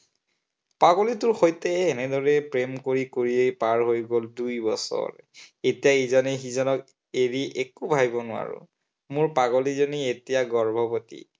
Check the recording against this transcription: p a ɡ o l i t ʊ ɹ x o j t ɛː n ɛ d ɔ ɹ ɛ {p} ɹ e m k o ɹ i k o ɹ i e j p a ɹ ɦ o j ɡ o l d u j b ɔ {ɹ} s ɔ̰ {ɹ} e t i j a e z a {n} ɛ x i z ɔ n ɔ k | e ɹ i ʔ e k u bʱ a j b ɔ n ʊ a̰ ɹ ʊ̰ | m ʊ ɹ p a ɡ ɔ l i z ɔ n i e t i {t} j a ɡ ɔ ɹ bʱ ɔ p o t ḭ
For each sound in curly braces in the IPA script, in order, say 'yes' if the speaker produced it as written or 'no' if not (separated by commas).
yes, no, yes, yes, no